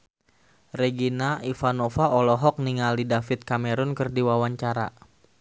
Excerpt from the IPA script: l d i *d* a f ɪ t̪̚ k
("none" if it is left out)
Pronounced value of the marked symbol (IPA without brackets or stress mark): d